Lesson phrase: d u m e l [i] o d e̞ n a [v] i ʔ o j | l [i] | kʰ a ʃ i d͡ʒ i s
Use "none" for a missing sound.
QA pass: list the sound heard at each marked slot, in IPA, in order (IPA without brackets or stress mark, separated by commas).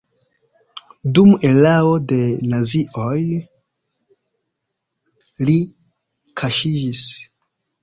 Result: a, z, i